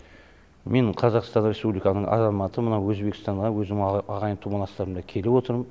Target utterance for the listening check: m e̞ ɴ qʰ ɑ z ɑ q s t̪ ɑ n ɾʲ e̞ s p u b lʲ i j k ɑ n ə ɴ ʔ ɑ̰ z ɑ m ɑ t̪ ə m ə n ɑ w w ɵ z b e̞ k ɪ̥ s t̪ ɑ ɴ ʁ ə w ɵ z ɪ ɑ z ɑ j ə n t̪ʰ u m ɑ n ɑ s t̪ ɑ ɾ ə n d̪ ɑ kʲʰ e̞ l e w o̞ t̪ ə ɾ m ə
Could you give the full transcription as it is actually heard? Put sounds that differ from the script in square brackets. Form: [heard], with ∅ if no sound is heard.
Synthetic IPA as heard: m e̞ ɴ qʰ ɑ z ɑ q s t̪ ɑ n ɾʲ e̞ s p u b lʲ i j k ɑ n ə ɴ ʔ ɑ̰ z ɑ m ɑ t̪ ə m ə n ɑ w w ɵ z b e̞ k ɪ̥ s t̪ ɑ ɴ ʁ [ɑ] w ɵ z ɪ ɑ [ʁ] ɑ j ə n t̪ʰ u m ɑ n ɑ s t̪ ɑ ɾ ə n d̪ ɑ kʲʰ e̞ l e w o̞ t̪ ə ɾ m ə